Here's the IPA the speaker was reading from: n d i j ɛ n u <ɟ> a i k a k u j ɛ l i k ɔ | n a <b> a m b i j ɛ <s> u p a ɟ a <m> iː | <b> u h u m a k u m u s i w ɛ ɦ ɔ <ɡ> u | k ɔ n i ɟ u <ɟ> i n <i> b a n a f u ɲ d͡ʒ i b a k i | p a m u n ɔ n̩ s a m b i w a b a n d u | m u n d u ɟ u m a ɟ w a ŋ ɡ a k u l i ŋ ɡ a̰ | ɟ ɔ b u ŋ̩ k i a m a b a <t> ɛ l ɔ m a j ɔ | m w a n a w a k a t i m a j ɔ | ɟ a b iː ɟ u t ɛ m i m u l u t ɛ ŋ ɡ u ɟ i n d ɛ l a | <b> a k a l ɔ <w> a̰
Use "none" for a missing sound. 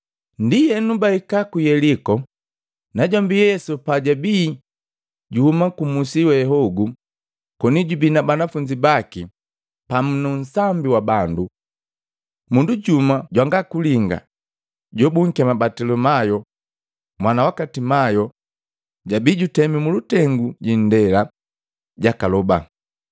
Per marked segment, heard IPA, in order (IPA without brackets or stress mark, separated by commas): b, ɟ, s, b, ɟ, ɡ, b, a, t, ɟ, b